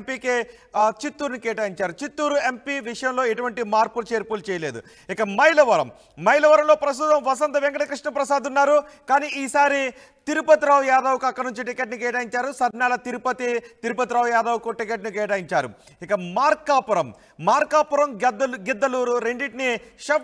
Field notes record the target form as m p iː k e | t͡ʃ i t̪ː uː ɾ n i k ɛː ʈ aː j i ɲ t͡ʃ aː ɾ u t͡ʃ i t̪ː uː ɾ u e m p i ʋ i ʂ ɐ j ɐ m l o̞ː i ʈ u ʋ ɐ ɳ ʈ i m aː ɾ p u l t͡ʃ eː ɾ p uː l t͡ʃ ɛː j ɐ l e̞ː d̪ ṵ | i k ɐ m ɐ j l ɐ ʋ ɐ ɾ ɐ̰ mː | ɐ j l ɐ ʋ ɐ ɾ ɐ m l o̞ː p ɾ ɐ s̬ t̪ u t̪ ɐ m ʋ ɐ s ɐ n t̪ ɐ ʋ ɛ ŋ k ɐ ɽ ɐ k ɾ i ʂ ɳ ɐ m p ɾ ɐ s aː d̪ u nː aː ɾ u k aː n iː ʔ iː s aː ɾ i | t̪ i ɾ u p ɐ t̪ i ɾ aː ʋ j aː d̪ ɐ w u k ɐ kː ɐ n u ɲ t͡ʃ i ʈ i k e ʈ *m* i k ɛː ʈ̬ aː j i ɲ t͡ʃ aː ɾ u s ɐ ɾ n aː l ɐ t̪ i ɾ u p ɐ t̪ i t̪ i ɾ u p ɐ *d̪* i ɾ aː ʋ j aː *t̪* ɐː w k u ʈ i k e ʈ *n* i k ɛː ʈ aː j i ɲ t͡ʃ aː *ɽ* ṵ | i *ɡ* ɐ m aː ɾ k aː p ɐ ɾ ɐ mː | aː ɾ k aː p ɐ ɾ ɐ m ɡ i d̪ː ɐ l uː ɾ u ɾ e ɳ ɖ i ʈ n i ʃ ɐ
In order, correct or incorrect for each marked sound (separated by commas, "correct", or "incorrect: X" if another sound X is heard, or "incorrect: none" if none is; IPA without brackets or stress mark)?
incorrect: n, incorrect: t̪, incorrect: d̪, correct, incorrect: ɾ, incorrect: k